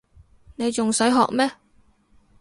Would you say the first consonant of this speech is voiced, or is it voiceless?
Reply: voiced